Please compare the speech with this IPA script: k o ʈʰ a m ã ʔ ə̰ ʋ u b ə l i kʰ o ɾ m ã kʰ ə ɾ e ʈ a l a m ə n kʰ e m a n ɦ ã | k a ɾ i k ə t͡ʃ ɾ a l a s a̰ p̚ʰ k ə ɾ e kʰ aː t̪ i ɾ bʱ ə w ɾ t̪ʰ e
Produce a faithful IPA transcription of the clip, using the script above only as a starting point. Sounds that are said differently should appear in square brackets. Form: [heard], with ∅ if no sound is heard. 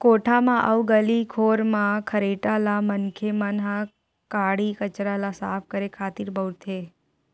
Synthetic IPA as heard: k o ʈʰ a m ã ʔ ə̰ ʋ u [ɡ] ə l i kʰ o ɾ m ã kʰ ə ɾ e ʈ a l a m ə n kʰ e m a n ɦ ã | k a [ɽ] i k ə t͡ʃ ɾ a l a s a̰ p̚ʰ k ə ɾ e kʰ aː t̪ i ɾ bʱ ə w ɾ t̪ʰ e